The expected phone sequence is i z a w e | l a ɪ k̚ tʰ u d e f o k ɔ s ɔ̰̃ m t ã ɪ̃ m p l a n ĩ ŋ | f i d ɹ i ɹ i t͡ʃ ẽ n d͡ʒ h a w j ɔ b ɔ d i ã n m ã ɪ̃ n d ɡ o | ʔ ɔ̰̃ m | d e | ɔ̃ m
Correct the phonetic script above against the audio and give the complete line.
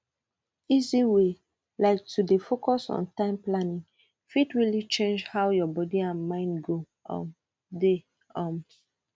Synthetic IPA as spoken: i z i w e | l a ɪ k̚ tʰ u d e f o k ɔ s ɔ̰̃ n t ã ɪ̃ m p l a n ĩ ŋ | f i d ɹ i l i t͡ʃ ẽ n d͡ʒ h a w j ɔ b ɔ d i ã n m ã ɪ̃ n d ɡ o | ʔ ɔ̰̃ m | d e | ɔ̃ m